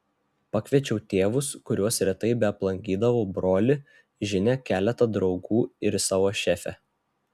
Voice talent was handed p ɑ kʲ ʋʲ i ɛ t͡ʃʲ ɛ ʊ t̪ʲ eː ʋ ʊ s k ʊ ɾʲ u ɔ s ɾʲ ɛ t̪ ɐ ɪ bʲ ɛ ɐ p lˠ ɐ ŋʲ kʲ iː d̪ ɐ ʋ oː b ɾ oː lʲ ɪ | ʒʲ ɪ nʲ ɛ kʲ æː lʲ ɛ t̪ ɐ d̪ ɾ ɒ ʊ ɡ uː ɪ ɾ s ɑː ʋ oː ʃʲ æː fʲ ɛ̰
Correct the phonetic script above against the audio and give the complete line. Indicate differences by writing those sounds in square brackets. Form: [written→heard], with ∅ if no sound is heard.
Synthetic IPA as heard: p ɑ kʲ ʋʲ i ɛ t͡ʃʲ ɛ ʊ t̪ʲ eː ʋ ʊ s k ʊ ɾʲ u ɔ s ɾʲ ɛ t̪ ɐ ɪ bʲ ɛ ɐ p lˠ ɐ ŋʲ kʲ iː d̪ ɐ ʋ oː b ɾ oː lʲ ɪ | ʒʲ ɪ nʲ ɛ kʲ æː lʲ ɛ t̪ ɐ d̪ ɾ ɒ ʊ ɡ uː ɪ ɾ s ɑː ʋ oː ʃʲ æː fʲ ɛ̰